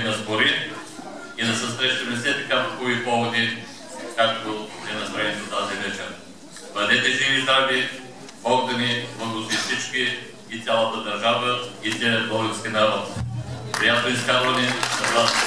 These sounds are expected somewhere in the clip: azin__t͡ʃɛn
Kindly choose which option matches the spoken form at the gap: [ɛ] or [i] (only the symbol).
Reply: ɛ